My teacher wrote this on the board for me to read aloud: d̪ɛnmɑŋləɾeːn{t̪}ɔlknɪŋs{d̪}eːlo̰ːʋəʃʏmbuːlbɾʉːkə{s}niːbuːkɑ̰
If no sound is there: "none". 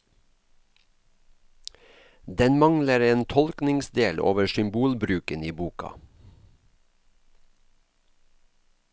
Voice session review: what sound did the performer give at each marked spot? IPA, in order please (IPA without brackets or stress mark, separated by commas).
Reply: t̪ʰ, d̪, none